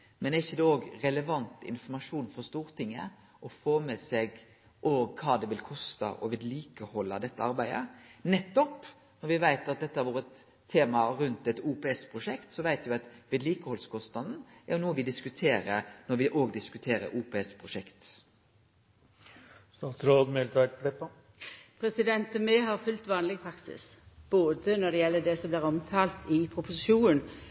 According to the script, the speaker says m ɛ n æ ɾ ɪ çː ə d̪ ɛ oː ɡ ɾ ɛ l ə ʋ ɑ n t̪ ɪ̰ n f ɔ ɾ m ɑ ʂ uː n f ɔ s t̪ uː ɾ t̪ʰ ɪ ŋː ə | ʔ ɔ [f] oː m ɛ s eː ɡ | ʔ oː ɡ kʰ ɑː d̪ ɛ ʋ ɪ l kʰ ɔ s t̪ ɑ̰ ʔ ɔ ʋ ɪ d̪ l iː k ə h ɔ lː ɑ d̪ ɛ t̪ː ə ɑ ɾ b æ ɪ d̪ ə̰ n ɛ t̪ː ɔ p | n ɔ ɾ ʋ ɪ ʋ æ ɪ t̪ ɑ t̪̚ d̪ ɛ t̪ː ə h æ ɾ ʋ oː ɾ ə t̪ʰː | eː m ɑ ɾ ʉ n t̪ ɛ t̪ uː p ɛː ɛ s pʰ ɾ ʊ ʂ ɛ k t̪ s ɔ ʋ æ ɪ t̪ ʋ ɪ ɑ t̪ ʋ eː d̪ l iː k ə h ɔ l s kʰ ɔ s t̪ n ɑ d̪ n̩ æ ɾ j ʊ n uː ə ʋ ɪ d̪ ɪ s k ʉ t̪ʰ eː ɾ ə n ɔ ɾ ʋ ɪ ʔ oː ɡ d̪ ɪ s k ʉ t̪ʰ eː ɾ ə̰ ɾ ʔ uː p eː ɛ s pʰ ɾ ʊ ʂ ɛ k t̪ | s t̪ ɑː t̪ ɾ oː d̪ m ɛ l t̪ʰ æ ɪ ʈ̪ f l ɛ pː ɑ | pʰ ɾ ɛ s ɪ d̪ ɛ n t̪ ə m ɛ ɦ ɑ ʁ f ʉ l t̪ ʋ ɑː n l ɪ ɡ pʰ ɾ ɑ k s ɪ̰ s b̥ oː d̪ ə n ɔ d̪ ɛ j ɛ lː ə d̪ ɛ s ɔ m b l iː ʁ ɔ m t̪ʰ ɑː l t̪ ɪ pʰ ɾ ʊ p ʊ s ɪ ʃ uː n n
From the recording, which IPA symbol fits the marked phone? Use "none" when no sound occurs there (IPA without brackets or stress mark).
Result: f